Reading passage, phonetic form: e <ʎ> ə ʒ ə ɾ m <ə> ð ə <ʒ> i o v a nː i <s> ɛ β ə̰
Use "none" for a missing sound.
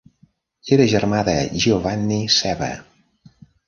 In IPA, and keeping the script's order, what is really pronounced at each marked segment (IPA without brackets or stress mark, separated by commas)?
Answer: ɾ, a, ʒ, s